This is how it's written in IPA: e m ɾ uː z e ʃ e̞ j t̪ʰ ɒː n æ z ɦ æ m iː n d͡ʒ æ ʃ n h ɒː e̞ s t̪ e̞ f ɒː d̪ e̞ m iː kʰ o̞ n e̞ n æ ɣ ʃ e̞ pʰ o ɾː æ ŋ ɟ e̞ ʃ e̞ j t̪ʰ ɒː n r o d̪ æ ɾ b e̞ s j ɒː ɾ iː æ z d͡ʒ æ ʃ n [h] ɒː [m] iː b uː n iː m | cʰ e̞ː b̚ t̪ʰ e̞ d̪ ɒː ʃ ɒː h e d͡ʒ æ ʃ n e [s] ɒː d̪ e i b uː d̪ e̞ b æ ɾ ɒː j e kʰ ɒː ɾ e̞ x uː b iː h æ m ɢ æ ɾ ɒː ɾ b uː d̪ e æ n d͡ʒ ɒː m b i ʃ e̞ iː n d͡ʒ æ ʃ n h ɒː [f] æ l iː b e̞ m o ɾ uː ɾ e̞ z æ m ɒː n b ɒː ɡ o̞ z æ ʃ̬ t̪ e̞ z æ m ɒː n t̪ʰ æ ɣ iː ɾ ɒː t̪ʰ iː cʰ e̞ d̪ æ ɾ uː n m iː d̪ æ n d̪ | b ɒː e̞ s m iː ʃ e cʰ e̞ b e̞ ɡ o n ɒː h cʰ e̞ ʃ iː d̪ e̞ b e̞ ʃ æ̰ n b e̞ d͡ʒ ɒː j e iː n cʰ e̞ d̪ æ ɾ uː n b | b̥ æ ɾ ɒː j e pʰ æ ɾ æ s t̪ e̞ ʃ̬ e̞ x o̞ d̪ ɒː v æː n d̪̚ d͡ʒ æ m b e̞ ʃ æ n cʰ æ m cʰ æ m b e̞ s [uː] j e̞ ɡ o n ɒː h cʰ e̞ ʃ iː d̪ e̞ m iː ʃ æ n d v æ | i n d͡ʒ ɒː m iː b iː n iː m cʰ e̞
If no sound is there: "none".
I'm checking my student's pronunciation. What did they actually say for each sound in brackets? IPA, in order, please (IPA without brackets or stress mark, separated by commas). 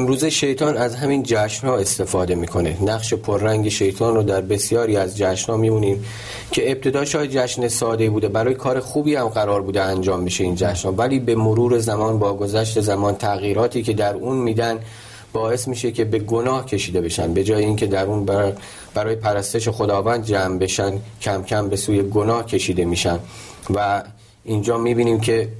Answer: h, m, s, v, uː